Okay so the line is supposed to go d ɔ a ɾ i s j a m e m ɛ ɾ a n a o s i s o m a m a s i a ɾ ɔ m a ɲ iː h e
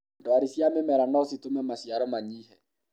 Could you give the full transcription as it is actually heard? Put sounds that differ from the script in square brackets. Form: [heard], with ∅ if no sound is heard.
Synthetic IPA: d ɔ a ɾ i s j a m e m ɛ ɾ a n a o s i [t] o m [ɛ] m a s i a ɾ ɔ m a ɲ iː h [ɛ]

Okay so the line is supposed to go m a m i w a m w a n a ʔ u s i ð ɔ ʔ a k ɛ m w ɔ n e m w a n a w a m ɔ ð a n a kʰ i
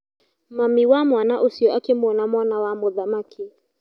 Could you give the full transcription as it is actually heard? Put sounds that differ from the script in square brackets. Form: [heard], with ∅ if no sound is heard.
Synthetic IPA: m a m i w a m w a n a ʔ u s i [∅] ɔ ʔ a k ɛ m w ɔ n [a] m w a n a w a m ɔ ð a [m] a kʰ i

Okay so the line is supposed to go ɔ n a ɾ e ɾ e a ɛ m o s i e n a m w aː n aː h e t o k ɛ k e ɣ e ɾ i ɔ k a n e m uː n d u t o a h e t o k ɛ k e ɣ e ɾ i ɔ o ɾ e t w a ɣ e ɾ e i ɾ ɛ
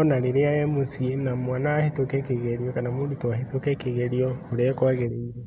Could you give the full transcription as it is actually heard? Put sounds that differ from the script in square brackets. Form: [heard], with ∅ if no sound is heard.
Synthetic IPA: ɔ n a ɾ e ɾ e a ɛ m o s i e n a m w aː n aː h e t o k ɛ k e ɣ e ɾ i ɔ k a n [a] m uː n d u t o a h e t o k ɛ k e ɣ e ɾ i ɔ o ɾ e [k] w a ɣ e ɾ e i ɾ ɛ

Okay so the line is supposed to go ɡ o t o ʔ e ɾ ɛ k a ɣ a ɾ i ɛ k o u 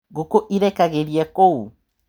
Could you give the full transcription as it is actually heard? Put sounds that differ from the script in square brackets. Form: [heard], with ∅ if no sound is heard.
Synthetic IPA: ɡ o [k] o ʔ [i] ɾ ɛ k a ɣ [e] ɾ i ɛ k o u

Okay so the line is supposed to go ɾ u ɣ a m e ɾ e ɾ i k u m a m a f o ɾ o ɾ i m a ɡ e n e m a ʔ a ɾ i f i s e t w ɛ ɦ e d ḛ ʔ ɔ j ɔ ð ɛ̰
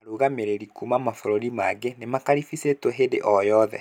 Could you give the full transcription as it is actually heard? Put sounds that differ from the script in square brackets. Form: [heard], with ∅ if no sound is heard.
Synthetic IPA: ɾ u ɣ a m e ɾ e ɾ i k u m a m a f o ɾ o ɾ i m a ɡ e n e m a [k] a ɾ i f i s e t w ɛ ɦ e d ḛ ʔ ɔ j ɔ ð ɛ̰

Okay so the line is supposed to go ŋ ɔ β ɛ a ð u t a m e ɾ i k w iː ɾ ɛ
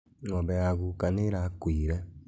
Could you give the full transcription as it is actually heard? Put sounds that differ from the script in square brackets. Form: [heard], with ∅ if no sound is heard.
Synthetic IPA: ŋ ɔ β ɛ a [ɣ] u [k] a [n] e ɾ [a] k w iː ɾ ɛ

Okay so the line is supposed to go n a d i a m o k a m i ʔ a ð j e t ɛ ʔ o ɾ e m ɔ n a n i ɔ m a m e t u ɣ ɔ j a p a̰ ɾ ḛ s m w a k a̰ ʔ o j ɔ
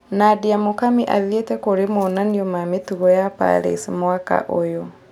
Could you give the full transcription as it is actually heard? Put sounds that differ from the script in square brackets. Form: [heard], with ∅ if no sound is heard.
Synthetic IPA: n a d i a m o k a m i ʔ a ð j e t ɛ [k] o ɾ e m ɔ n a n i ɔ m a m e t u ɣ ɔ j a p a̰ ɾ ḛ s m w a k a̰ ʔ o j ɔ

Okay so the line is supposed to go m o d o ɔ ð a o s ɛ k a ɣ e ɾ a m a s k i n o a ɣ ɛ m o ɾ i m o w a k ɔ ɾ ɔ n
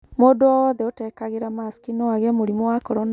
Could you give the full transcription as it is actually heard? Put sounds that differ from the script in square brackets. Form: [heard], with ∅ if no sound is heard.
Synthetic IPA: m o d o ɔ ð [ɛ] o [t] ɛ k a ɣ e ɾ a m a s k i n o a ɣ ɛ m o ɾ i m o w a k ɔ ɾ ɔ n

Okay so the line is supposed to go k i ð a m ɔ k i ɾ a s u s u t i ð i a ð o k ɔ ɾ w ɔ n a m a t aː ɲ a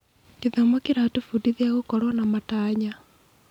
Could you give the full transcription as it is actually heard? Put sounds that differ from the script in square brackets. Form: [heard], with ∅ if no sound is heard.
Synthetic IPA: k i ð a m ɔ k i ɾ a [t] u [f] u [d] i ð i a [ɣ] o k ɔ ɾ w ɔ n a m a t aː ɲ a

